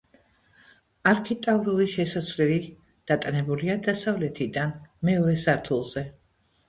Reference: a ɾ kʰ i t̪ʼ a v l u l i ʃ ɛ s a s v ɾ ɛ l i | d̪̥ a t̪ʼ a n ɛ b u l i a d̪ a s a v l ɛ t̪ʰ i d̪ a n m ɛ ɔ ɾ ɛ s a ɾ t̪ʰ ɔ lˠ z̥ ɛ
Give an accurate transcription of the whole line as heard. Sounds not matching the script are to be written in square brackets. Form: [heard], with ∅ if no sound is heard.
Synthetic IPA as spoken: a ɾ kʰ i t̪ʼ a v [ɾ] u l i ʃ ɛ s a s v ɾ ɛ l i | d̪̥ a t̪ʼ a n ɛ b u l i a d̪ a s a v l ɛ t̪ʰ i d̪ a n m ɛ ɔ ɾ ɛ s a ɾ t̪ʰ [u] lˠ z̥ ɛ

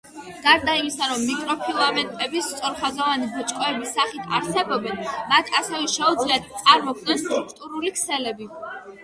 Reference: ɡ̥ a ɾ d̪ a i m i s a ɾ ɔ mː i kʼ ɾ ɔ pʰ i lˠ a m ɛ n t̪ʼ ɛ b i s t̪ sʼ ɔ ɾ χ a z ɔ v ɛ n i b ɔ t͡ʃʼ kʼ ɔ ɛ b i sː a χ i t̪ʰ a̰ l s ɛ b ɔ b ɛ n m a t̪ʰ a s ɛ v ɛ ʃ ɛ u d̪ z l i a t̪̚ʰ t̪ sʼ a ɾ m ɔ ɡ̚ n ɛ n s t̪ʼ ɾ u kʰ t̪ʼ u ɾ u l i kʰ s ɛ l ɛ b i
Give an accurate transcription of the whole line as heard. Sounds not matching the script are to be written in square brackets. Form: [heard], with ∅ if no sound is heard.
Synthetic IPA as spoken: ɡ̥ a ɾ d̪ a i m i s a ɾ ɔ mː i kʼ ɾ ɔ pʰ i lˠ a m ɛ n t̪ʼ ɛ b i s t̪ sʼ ɔ ɾ χ a z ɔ v [a] n i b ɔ t͡ʃʼ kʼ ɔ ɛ b i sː a χ i t̪ʰ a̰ [ɾ] s ɛ b ɔ b ɛ n m a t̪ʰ a s ɛ v ɛ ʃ ɛ u d̪ z l i a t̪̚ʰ t̪ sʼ a ɾ m ɔ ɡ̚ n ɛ n s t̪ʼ ɾ u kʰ t̪ʼ u ɾ u l i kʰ s ɛ l ɛ b i

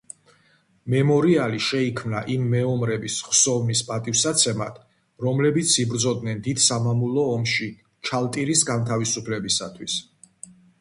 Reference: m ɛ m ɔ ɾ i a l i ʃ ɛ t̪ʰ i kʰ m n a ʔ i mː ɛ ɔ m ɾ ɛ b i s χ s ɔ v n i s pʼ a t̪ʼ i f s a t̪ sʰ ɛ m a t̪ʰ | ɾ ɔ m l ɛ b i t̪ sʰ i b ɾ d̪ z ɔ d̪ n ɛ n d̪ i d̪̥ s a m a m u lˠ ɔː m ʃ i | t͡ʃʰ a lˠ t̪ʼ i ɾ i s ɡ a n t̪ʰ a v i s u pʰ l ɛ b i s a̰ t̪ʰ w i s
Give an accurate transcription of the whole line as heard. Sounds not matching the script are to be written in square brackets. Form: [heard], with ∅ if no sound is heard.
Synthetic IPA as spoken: m ɛ m ɔ ɾ i a l i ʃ ɛ [∅] i kʰ m n a ʔ i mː ɛ ɔ m ɾ ɛ b i s χ s ɔ v n i s pʼ a t̪ʼ i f s a t̪ sʰ ɛ m a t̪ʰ | ɾ ɔ m l ɛ b i t̪ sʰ i b ɾ d̪ z ɔ d̪ n ɛ n d̪ i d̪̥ s a m a m u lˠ ɔː m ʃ i | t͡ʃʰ a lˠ t̪ʼ i ɾ i s ɡ a n t̪ʰ a v i s u pʰ l ɛ b i s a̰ t̪ʰ w i s

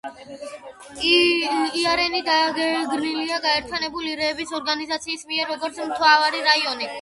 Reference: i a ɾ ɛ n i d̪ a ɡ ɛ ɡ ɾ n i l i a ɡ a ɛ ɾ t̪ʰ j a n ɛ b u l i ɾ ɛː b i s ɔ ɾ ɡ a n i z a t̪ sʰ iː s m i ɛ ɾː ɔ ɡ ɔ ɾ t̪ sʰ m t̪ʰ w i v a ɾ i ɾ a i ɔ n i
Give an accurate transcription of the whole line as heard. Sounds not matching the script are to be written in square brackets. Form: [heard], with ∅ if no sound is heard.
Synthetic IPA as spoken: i a ɾ ɛ n i d̪ a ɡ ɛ ɡ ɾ n i l i a ɡ a ɛ ɾ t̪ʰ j a n ɛ b u l i ɾ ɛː b i s ɔ ɾ ɡ a n i z a t̪ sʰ iː s m i ɛ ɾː ɔ ɡ ɔ ɾ t̪ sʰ m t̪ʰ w [a] v a ɾ i ɾ a i ɔ n i

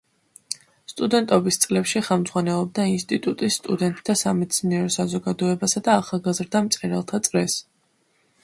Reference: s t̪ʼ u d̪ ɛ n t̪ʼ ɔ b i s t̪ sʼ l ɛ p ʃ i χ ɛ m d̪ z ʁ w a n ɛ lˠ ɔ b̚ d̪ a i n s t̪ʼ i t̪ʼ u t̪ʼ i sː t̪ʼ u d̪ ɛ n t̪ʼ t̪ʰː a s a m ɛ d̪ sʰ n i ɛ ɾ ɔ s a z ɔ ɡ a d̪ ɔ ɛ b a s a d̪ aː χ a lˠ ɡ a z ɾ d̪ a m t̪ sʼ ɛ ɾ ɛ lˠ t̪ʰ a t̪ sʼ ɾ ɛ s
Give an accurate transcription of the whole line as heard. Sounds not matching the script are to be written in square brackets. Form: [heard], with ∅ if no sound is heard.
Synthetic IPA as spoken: s t̪ʼ u d̪ ɛ n t̪ʼ ɔ b i s t̪ sʼ l ɛ p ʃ i χ ɛ m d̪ z ʁ w a n ɛ lˠ ɔ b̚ d̪ a i n s t̪ʼ i t̪ʼ u t̪ʼ i sː t̪ʼ u d̪ ɛ n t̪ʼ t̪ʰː a s a m ɛ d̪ sʰ n i ɛ ɾ ɔ s a z ɔ ɡ a d̪ ɔ ɛ b a s a d̪ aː χ a lˠ ɡ a z ɾ d̪ a m t̪ sʼ ɛ ɾ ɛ lˠ t̪ʰ a t̪ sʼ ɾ ɛ s

